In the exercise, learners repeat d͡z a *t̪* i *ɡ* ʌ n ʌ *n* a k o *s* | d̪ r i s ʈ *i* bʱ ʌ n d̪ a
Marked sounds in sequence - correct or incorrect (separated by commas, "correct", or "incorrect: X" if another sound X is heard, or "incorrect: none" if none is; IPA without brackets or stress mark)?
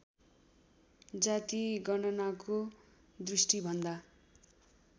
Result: correct, correct, correct, incorrect: none, correct